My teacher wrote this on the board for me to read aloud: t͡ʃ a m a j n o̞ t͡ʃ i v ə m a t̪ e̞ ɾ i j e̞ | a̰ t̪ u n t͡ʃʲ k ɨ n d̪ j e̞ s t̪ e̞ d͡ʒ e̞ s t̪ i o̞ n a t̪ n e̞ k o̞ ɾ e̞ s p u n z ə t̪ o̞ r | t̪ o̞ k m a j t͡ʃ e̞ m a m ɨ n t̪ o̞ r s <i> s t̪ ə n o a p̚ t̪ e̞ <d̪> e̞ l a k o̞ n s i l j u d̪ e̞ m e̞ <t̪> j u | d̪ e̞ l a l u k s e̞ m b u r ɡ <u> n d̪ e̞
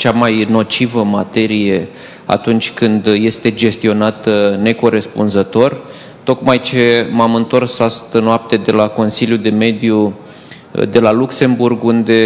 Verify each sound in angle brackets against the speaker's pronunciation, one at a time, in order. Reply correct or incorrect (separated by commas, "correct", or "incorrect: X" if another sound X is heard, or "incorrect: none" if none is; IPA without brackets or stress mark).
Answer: incorrect: a, correct, incorrect: d̪, correct